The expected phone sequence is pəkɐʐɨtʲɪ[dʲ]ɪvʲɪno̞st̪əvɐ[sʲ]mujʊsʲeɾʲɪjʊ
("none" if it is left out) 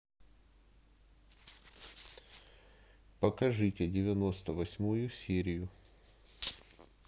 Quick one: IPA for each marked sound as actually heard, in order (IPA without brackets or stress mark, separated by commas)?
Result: dʲ, sʲ